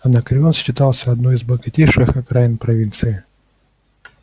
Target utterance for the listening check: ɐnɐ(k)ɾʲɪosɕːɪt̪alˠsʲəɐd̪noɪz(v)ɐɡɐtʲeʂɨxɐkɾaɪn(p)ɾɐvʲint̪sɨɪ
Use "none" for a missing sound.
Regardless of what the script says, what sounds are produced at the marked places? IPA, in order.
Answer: k, b, p

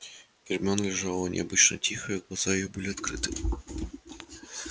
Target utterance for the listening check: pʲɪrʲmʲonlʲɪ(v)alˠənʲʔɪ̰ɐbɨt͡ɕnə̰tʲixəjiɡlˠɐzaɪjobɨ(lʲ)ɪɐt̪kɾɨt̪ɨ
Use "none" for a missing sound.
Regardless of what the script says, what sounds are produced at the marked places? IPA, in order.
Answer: ʐ, lʲ

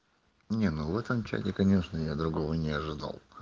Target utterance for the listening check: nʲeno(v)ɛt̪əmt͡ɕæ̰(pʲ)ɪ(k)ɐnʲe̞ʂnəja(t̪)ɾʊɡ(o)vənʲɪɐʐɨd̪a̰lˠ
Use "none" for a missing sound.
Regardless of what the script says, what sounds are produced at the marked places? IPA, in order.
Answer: v, tʲ, k, d̪, o

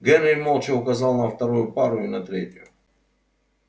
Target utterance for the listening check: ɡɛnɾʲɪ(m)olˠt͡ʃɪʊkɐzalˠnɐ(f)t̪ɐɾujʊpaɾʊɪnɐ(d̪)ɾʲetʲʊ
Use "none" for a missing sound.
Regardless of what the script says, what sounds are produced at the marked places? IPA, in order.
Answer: m, f, t̪

